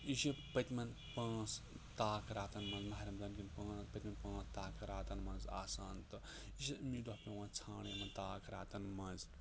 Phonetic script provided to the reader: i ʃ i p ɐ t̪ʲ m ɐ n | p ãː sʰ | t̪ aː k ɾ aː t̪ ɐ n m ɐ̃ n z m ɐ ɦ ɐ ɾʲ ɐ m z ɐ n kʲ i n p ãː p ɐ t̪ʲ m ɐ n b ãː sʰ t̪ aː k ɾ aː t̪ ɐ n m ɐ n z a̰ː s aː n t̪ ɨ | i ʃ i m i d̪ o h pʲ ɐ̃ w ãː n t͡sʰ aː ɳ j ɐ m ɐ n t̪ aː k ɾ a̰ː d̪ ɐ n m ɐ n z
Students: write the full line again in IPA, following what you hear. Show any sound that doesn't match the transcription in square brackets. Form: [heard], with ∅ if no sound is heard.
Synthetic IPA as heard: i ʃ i p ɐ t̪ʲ m ɐ n | p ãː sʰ | t̪ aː k ɾ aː t̪ ɐ n m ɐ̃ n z m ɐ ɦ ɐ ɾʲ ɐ m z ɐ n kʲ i n p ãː p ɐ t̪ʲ m ɐ n [p] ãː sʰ t̪ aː k ɾ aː t̪ ɐ n m ɐ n z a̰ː s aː n t̪ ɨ | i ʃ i m i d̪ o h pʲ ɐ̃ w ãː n t͡sʰ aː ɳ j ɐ m ɐ n t̪ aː k ɾ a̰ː [t̪] ɐ n m ɐ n z